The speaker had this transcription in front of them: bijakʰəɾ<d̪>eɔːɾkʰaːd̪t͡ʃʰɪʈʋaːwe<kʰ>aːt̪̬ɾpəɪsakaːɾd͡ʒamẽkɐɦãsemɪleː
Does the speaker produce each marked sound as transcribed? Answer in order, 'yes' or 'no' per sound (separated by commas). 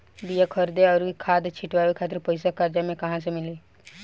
yes, yes